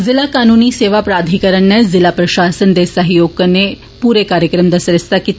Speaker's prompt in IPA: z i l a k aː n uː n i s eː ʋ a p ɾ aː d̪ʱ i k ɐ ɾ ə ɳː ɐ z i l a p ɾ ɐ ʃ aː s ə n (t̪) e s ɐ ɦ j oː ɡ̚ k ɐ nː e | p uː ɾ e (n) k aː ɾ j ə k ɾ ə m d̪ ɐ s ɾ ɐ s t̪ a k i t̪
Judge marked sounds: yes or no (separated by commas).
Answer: no, no